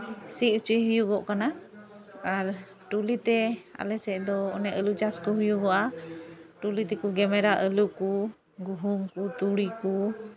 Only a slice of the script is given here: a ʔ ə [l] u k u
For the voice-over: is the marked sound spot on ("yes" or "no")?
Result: yes